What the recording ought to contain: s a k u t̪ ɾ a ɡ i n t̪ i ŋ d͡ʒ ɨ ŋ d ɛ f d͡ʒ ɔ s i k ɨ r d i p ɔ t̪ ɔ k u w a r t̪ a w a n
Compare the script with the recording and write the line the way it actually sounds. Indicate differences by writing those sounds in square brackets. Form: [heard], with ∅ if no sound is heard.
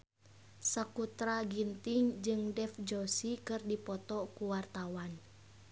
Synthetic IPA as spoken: s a k u t̪ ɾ a ɡ i n t̪ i ŋ d͡ʒ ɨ ŋ d ɛ f d͡ʒ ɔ s i k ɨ r d i p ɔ t̪ ɔ k u w a r t̪ a w a n